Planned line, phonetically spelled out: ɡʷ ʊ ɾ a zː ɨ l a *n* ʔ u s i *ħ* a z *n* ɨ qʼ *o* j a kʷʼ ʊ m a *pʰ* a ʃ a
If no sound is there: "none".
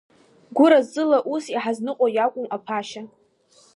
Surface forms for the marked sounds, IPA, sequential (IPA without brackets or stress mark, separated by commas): none, ħ, n, o, pʰ